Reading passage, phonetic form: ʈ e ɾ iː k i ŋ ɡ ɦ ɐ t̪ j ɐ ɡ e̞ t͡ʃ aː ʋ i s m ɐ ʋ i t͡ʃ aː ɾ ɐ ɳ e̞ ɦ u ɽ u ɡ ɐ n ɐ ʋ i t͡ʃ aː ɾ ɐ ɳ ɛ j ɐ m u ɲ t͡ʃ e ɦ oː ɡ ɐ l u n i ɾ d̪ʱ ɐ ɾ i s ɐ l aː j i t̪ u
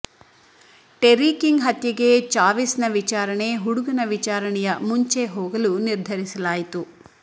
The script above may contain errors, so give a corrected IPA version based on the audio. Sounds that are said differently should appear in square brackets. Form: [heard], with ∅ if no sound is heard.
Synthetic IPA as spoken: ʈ e ɾ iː k i ŋ ɡ ɦ ɐ t̪ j ɐ ɡ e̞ t͡ʃ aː ʋ i s [n] ɐ ʋ i t͡ʃ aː ɾ ɐ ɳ e̞ ɦ u ɽ u ɡ ɐ n ɐ ʋ i t͡ʃ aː ɾ ɐ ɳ ɛ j ɐ m u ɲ t͡ʃ e ɦ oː ɡ ɐ l u n i ɾ d̪ʱ ɐ ɾ i s ɐ l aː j i t̪ u

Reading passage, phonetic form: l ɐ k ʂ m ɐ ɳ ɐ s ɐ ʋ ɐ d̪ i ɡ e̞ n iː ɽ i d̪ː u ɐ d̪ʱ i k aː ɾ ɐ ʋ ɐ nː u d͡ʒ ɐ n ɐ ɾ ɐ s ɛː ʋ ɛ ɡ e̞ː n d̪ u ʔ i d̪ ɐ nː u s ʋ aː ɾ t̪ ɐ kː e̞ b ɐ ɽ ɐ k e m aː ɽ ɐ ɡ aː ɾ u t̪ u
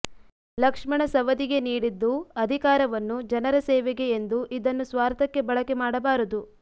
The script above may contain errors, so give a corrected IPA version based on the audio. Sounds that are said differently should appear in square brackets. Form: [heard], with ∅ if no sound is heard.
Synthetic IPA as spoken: l ɐ k ʂ m ɐ ɳ ɐ s ɐ ʋ ɐ d̪ i ɡ e̞ n iː ɽ i d̪ː u ɐ d̪ʱ i k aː ɾ ɐ ʋ ɐ nː u d͡ʒ ɐ n ɐ ɾ ɐ s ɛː ʋ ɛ ɡ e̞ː n d̪ u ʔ i d̪ ɐ nː u s ʋ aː ɾ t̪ ɐ kː e̞ b ɐ [ɭ] ɐ k e m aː ɽ ɐ [b] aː ɾ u [d̪] u

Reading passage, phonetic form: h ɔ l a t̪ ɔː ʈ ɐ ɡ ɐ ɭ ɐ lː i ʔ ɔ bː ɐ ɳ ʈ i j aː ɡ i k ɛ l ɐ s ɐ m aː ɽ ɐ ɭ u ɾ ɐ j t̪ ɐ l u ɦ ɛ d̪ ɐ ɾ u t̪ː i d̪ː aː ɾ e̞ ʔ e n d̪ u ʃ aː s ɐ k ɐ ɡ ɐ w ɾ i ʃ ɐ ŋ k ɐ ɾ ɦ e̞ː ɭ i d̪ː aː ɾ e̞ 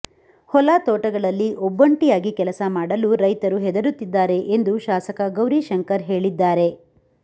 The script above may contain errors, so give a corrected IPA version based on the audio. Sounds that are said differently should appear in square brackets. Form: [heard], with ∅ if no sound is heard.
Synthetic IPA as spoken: h ɔ l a t̪ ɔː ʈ ɐ ɡ ɐ ɭ ɐ lː i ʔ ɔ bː ɐ ɳ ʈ i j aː ɡ i k ɛ l ɐ s ɐ m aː ɽ ɐ [l] u ɾ ɐ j t̪ ɐ [ɾ] u ɦ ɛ d̪ ɐ ɾ u t̪ː i d̪ː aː ɾ e̞ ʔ e n d̪ u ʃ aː s ɐ k ɐ ɡ ɐ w ɾ i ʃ ɐ ŋ k ɐ ɾ ɦ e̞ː ɭ i d̪ː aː ɾ e̞

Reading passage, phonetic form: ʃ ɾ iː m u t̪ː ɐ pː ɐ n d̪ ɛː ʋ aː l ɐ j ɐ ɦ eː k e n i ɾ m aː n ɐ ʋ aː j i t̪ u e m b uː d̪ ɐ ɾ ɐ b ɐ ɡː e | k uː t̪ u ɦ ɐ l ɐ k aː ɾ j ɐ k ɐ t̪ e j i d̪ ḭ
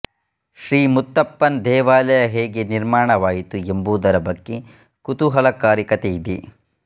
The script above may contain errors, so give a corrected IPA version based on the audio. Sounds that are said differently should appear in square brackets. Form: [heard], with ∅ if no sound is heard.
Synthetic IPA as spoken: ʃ ɾ iː m u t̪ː ɐ pː ɐ n d̪ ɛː ʋ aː l ɐ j ɐ ɦ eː [ɡ] e n i ɾ m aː [ɳ] ɐ ʋ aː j i t̪ u e m b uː d̪ ɐ ɾ ɐ b ɐ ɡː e | k [u] t̪ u ɦ ɐ l ɐ k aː ɾ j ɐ k ɐ t̪ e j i d̪ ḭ

